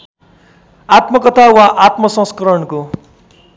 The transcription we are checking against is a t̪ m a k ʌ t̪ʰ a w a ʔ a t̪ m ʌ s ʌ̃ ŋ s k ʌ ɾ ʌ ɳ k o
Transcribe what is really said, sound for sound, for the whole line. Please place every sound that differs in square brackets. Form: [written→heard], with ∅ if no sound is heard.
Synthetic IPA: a t̪ m [a→ʌ] k ʌ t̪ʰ a w a ʔ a t̪ m ʌ s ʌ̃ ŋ s k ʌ ɾ ʌ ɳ k o